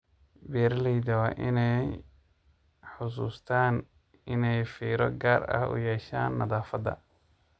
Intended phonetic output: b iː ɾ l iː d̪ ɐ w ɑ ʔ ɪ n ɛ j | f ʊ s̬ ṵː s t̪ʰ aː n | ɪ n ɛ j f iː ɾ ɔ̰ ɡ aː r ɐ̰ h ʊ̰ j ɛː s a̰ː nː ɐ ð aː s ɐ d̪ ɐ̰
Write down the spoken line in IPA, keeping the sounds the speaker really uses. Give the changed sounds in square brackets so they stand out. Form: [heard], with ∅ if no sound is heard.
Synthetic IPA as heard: b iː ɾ l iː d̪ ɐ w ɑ ʔ ɪ n ɛ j | [ħ] ʊ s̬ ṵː s t̪ʰ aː n | ɪ n ɛ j f iː ɾ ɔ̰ ɡ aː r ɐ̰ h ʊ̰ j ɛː [ʃ] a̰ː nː ɐ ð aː [f] ɐ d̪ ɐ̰